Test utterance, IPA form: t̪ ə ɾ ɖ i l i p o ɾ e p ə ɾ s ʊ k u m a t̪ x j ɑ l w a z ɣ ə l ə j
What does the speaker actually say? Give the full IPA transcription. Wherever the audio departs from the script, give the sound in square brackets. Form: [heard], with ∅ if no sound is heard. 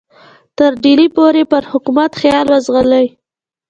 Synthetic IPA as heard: t̪ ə ɾ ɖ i l i p o ɾ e p ə ɾ [h] ʊ k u m a t̪ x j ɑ l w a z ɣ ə l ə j